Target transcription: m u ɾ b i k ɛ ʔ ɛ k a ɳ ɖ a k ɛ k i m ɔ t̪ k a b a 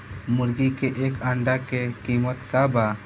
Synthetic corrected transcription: m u ɾ ɡ i k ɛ ʔ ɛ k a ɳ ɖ a k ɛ k i m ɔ t̪ k a b a